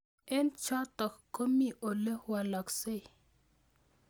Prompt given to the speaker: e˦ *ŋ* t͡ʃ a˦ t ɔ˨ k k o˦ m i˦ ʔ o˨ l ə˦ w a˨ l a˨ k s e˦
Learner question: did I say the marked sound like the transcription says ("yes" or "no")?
no